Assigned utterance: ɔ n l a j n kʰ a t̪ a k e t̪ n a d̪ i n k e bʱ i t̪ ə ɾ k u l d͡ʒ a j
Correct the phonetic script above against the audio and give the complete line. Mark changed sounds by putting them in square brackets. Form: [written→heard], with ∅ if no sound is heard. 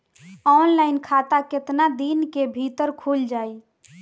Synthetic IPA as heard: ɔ n l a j n kʰ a t̪ a k e t̪ n a d̪ i n k e bʱ i t̪ ə ɾ [k→kʰ] u l d͡ʒ a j